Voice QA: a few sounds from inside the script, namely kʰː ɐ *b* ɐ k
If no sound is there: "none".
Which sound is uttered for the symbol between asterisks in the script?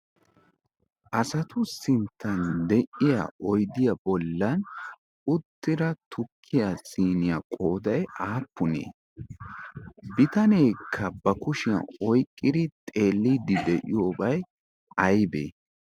b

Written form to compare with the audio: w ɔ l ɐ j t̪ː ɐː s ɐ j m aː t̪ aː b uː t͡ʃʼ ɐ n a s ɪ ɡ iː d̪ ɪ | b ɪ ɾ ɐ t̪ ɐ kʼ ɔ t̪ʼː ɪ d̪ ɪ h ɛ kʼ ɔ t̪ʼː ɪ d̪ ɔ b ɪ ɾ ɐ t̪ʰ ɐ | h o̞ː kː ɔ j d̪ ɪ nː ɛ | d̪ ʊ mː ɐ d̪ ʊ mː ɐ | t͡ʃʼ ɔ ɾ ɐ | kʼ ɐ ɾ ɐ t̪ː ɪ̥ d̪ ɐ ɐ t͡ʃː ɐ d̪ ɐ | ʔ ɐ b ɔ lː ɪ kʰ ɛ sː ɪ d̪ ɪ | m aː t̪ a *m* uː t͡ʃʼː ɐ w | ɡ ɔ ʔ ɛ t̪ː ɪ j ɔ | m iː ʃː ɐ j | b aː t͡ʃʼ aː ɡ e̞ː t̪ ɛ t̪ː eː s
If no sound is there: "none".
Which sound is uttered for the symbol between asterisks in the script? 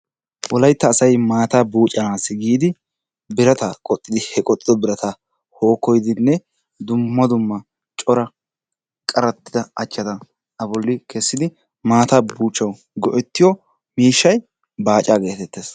b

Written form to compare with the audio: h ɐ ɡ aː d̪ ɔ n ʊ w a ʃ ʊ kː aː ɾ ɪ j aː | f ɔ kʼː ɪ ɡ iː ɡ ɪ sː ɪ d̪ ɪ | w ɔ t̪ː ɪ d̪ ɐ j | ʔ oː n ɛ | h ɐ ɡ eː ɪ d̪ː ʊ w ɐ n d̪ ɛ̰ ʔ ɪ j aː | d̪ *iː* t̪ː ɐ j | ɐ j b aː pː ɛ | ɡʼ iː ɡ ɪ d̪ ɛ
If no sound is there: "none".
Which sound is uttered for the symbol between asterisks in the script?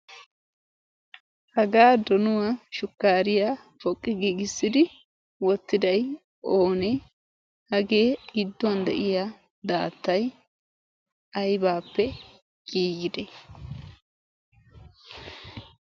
aː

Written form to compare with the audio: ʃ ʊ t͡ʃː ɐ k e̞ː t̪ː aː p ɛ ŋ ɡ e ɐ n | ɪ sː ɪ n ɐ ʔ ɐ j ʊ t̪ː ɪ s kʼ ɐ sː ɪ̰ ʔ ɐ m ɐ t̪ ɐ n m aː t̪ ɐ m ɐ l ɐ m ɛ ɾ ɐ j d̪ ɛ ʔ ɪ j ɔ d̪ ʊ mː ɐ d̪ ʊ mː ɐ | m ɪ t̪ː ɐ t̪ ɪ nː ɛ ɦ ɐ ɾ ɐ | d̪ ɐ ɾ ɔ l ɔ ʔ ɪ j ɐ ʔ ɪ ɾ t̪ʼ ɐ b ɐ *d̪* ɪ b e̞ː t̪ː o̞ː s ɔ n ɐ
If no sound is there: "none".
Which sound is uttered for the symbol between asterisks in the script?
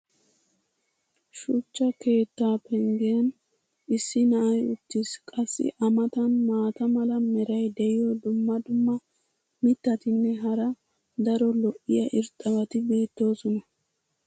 t̪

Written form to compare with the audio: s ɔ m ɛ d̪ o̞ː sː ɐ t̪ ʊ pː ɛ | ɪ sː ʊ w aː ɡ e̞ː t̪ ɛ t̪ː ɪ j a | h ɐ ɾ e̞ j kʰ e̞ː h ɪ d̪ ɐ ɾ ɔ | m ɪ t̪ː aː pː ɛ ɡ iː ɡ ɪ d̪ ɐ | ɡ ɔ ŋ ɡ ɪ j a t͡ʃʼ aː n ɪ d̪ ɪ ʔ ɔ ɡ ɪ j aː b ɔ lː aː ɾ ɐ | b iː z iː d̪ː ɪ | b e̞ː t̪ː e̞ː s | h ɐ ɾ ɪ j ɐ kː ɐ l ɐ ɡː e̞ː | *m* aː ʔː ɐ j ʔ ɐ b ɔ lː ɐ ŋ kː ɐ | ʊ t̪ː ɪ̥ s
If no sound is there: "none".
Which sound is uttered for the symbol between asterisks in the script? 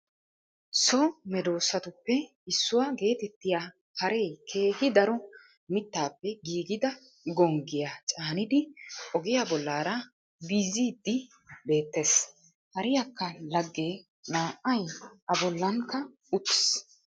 n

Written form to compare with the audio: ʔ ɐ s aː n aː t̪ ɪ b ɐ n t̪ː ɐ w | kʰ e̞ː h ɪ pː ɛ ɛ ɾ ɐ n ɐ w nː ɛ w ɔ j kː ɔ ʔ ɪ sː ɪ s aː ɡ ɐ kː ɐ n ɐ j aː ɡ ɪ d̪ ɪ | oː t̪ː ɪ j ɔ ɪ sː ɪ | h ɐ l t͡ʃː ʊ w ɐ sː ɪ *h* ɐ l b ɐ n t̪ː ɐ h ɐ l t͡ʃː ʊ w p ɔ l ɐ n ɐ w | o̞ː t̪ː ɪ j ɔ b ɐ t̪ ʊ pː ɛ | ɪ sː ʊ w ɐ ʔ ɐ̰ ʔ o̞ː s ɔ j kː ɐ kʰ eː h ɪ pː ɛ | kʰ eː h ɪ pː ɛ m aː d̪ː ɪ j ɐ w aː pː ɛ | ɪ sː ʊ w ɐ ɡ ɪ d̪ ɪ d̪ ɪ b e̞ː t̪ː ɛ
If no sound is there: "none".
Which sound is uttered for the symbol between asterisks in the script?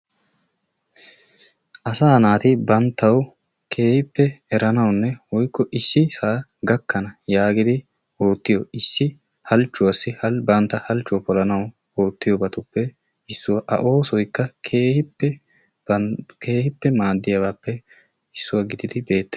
h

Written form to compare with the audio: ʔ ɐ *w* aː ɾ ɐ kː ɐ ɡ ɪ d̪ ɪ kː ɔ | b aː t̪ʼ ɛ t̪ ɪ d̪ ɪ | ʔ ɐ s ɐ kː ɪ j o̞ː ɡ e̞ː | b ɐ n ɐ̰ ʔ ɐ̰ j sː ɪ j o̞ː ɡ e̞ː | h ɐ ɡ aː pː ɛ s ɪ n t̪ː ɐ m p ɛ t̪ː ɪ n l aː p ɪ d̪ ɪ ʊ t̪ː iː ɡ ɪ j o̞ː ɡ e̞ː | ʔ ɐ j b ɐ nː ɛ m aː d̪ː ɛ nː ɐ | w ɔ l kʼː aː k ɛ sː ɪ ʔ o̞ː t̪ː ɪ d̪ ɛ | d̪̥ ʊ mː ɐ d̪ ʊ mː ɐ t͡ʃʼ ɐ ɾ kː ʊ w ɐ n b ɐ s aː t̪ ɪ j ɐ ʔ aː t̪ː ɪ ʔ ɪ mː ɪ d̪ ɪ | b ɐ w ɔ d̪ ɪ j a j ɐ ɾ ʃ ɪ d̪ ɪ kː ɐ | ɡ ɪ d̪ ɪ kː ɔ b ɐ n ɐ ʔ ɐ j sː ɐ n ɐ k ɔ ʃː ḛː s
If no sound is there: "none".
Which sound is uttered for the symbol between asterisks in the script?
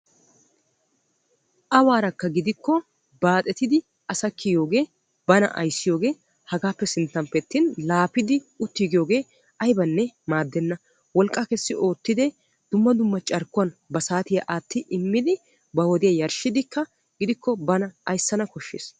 w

